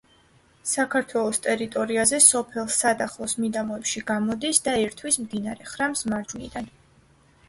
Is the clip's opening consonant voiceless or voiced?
voiceless